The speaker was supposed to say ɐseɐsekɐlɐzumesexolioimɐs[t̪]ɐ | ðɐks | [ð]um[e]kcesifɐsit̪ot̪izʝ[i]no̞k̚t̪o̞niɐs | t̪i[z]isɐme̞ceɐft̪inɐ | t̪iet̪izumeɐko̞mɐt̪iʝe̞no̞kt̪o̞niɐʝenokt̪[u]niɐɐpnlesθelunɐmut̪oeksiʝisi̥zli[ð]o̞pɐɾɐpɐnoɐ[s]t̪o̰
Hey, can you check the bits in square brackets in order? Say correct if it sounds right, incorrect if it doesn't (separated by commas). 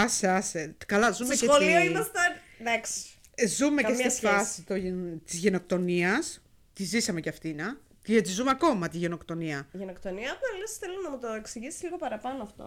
correct, incorrect, correct, incorrect, correct, incorrect, incorrect, incorrect